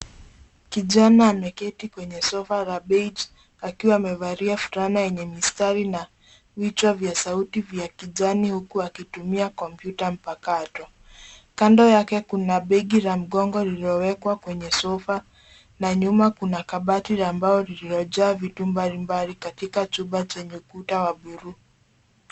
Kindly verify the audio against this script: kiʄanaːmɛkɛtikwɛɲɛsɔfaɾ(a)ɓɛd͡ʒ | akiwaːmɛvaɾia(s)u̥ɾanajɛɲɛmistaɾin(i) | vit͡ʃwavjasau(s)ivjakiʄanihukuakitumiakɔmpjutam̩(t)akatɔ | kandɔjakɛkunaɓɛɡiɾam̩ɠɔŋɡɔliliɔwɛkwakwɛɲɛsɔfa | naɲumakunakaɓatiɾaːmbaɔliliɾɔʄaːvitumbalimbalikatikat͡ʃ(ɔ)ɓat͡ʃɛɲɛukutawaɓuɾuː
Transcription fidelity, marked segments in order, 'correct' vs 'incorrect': correct, incorrect: f, incorrect: a, incorrect: t, incorrect: p, incorrect: u

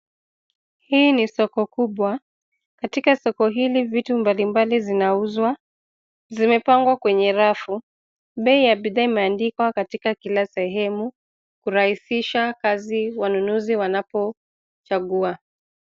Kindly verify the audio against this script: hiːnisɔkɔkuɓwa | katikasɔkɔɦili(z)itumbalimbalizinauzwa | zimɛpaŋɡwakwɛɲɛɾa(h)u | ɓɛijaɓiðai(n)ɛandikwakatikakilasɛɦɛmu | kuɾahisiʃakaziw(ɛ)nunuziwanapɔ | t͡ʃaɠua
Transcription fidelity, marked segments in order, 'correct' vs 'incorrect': incorrect: v, incorrect: f, incorrect: m, incorrect: a

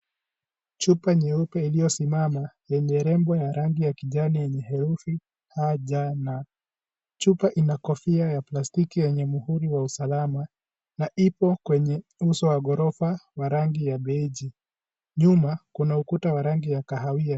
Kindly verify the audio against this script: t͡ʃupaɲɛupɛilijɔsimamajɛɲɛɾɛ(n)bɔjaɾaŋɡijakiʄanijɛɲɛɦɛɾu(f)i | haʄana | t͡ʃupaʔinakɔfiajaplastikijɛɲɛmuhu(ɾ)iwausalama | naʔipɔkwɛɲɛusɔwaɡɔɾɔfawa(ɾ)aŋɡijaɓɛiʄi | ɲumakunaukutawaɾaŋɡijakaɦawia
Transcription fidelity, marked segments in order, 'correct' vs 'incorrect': incorrect: m, correct, correct, correct

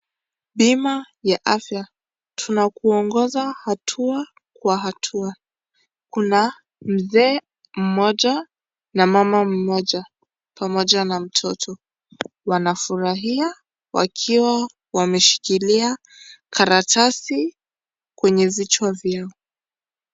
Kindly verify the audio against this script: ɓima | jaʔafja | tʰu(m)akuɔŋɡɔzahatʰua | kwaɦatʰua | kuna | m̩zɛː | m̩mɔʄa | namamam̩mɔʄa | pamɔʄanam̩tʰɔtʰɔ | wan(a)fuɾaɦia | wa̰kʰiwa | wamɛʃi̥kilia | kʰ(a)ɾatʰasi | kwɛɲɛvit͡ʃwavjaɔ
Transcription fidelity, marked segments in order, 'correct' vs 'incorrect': incorrect: n, correct, correct

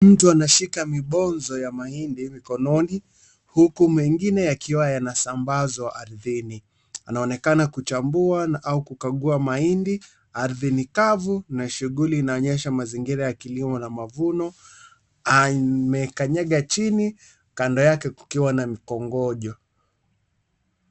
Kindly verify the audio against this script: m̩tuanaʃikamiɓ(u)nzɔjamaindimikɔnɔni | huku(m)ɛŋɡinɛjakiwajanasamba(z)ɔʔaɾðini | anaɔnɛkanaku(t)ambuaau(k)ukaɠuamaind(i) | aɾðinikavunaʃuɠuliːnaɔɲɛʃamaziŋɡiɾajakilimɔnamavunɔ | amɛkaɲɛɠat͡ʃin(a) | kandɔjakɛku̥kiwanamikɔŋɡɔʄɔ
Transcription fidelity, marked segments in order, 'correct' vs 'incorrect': incorrect: ɔ, correct, correct, incorrect: t͡ʃ, correct, correct, incorrect: i

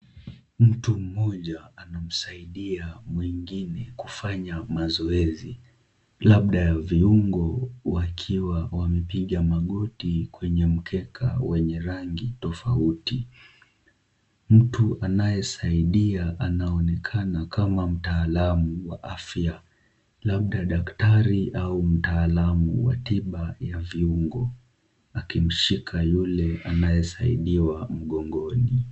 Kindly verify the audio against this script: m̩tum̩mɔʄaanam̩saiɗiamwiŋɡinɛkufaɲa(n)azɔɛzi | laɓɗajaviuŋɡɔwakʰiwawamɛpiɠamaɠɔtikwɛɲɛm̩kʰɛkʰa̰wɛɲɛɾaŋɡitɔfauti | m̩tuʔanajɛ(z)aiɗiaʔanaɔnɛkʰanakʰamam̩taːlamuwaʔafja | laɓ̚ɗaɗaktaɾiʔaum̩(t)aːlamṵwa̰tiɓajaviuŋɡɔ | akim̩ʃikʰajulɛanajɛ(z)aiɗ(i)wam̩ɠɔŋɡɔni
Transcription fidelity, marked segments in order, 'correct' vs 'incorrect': incorrect: m, incorrect: s, correct, incorrect: s, correct

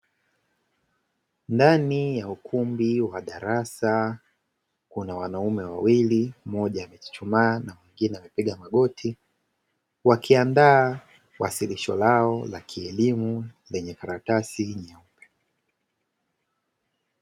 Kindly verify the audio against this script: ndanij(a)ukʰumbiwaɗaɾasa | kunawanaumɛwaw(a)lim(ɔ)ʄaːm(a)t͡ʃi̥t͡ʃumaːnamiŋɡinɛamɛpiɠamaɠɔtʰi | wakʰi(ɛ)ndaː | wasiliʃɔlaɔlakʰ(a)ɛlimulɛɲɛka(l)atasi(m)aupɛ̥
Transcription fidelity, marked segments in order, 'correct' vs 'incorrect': correct, incorrect: i, correct, incorrect: ɛ, incorrect: a, incorrect: i, incorrect: ɾ, incorrect: ɲ

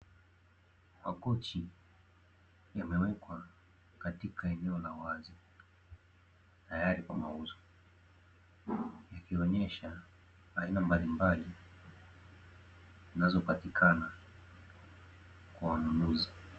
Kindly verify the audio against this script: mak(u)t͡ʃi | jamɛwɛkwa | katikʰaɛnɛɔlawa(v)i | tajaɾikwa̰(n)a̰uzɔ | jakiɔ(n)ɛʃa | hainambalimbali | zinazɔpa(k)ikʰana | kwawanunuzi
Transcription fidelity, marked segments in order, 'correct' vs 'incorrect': incorrect: ɔ, incorrect: z, incorrect: m, incorrect: ɲ, incorrect: t

